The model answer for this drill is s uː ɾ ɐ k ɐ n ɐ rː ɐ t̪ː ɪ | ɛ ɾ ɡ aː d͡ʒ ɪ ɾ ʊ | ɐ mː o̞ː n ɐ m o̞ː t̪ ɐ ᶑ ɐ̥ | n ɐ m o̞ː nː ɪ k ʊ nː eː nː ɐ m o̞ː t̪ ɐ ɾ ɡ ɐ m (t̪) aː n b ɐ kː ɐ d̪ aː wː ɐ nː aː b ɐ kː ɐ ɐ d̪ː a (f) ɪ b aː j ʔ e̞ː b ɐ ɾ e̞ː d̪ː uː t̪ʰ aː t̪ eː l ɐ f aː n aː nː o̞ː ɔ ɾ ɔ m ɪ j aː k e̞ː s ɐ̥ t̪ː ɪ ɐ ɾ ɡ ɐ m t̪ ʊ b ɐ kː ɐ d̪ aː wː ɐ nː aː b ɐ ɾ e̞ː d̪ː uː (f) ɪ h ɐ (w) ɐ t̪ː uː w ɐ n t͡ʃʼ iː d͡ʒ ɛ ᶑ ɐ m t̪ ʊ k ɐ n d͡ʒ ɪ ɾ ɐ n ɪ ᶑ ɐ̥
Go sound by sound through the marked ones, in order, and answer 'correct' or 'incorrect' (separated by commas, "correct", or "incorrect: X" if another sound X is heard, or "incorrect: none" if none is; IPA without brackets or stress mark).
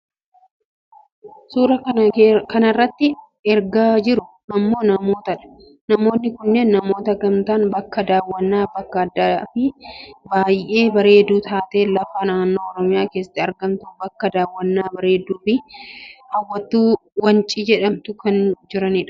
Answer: correct, correct, correct, incorrect: wː